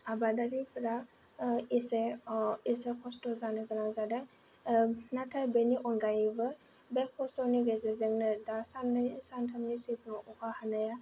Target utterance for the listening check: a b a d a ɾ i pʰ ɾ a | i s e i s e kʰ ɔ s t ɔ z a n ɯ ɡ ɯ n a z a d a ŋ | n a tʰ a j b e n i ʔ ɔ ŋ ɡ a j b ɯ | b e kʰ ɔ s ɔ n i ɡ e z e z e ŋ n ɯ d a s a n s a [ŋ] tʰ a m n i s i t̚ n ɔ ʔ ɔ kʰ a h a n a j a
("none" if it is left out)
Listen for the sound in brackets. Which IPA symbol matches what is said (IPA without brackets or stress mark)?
n